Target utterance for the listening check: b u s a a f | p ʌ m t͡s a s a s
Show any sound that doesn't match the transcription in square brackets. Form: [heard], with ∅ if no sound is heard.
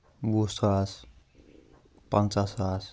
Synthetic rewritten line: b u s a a [s] | p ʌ [n] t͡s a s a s